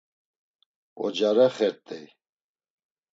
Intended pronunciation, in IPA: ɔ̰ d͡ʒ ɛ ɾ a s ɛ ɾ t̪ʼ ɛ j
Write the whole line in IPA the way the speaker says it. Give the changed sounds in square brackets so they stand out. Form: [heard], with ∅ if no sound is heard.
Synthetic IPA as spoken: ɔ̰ d͡ʒ [a] ɾ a [χ] ɛ ɾ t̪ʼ ɛ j